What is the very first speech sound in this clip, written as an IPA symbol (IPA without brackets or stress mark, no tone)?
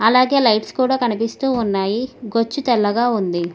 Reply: ɐ